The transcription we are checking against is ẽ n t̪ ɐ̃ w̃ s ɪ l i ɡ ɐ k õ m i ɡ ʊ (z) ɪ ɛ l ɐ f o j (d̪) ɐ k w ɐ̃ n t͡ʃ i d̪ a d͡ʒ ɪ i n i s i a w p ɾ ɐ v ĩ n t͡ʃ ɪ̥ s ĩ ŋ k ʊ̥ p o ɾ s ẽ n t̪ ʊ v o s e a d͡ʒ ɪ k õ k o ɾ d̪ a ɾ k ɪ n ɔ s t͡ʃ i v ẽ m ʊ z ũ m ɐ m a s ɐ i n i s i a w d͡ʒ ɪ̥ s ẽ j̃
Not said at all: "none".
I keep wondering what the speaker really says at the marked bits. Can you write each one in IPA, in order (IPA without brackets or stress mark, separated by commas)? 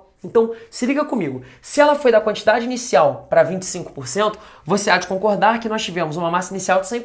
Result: s, d̪